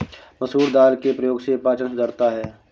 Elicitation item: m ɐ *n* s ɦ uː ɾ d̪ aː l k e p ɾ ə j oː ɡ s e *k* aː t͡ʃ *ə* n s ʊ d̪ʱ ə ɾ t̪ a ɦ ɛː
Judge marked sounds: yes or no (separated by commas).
no, no, yes